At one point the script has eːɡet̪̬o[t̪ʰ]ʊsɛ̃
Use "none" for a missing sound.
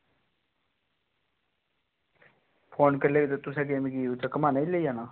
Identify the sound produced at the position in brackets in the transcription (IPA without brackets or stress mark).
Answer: t̪